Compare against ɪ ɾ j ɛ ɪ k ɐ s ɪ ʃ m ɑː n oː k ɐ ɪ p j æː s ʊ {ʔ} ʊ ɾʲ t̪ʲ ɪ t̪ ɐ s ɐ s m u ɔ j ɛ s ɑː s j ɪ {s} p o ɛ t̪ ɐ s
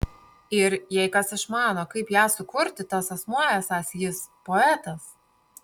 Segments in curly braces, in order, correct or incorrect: incorrect: k, correct

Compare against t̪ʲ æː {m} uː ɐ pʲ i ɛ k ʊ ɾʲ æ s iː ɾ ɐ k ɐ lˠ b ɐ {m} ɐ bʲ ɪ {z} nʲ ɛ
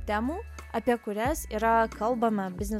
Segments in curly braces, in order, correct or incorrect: correct, correct, correct

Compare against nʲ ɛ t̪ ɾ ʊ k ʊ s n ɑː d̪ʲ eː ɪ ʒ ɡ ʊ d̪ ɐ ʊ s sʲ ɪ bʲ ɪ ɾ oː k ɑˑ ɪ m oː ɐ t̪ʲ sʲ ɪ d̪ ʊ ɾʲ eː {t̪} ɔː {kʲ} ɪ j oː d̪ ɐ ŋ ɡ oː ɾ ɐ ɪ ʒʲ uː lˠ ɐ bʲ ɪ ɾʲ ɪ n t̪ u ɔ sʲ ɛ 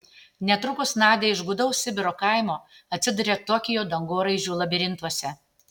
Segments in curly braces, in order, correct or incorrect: correct, correct

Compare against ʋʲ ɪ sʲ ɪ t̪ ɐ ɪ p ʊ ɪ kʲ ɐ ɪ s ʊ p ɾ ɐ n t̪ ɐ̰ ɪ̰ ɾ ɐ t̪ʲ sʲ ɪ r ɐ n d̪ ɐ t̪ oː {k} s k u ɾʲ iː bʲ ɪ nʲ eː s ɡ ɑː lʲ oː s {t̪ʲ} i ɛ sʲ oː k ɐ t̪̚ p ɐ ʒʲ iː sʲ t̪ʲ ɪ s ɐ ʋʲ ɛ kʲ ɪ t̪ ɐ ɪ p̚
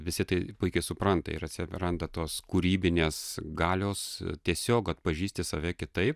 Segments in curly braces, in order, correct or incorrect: incorrect: none, correct

